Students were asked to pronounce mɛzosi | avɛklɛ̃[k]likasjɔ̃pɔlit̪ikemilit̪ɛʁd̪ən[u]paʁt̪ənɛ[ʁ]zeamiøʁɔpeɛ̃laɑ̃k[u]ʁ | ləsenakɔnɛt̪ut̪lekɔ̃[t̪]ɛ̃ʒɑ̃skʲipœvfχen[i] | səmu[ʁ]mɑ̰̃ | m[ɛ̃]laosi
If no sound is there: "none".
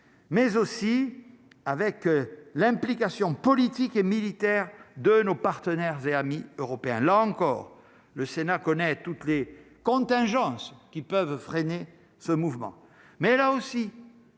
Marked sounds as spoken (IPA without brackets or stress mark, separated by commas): p, o, ʁ, ɔ, t̪, e, v, ɛ